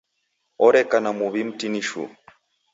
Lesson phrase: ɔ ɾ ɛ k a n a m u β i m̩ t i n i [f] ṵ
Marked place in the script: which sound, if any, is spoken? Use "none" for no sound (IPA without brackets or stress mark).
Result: ʃ